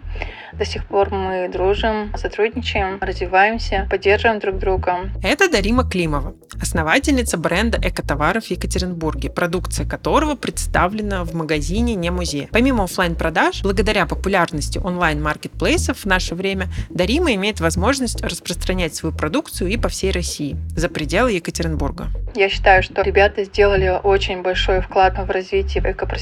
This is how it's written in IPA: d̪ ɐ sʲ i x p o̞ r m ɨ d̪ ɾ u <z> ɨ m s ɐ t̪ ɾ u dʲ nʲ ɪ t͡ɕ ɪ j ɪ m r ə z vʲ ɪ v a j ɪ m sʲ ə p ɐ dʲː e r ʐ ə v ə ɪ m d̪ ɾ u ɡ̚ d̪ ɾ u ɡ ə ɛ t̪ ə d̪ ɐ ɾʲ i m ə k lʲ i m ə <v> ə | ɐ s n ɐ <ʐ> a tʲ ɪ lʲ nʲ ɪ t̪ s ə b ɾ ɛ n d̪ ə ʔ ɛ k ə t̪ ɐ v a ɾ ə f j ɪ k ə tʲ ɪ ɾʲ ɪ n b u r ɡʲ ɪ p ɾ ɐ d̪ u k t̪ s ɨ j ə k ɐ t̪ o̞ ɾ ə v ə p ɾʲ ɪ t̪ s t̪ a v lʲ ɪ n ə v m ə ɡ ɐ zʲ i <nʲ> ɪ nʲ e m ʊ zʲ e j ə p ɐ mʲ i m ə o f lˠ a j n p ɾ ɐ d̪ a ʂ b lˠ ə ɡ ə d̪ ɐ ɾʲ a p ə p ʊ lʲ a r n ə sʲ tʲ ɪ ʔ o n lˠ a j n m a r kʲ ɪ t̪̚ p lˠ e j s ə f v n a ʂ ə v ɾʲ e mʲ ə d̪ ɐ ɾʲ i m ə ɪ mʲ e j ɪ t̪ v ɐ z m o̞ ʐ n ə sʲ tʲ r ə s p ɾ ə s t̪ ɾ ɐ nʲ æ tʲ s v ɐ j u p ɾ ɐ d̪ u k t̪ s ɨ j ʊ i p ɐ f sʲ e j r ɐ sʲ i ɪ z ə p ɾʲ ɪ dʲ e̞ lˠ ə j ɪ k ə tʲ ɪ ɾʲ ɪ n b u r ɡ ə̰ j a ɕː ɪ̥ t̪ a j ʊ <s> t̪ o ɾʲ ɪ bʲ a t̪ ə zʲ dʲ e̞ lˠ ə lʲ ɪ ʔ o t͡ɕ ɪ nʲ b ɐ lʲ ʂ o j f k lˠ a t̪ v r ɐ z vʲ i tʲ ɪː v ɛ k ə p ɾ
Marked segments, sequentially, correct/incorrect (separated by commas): incorrect, correct, incorrect, correct, incorrect